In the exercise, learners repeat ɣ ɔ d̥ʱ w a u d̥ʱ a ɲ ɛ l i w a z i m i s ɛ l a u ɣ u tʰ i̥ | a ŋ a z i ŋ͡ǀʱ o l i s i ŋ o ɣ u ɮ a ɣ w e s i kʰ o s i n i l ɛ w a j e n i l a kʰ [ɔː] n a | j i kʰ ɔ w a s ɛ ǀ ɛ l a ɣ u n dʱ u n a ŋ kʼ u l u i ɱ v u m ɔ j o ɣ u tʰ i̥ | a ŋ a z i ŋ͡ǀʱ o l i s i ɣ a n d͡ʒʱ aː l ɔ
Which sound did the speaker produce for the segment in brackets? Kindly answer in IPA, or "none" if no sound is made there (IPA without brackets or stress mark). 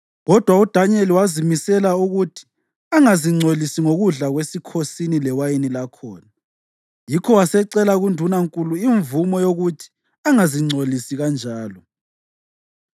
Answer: ɔː